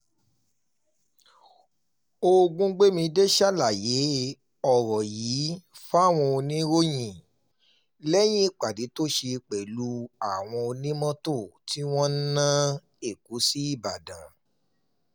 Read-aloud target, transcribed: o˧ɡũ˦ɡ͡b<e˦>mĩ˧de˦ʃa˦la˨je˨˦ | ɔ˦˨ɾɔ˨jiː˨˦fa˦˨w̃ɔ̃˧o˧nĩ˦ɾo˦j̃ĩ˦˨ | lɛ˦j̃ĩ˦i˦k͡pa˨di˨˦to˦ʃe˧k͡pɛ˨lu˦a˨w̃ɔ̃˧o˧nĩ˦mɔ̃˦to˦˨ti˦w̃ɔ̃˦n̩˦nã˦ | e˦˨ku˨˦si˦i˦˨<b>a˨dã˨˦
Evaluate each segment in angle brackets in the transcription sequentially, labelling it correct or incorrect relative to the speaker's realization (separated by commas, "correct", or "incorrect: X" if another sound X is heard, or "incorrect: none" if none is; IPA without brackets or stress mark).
correct, correct